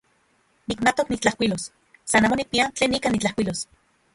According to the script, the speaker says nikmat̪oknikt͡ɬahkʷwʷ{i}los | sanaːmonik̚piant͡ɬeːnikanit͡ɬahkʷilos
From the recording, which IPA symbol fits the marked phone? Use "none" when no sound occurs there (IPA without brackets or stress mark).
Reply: i